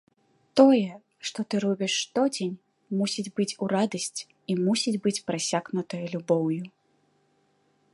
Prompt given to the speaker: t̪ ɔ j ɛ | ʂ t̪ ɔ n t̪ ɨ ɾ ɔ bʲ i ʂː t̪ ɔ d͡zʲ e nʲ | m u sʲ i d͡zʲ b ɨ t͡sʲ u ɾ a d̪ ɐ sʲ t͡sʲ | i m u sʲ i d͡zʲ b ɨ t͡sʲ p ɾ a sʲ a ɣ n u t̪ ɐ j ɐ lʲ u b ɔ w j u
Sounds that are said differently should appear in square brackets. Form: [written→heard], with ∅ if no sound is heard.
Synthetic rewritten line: t̪ ɔ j ɛ | ʂ t̪ ɔ [n→∅] t̪ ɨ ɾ ɔ bʲ i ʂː t̪ ɔ d͡zʲ e nʲ | m u sʲ i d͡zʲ b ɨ t͡sʲ u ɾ a d̪ ɐ sʲ t͡sʲ | i m u sʲ i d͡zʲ b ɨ t͡sʲ p ɾ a sʲ a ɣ n u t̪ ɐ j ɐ lʲ u b ɔ w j u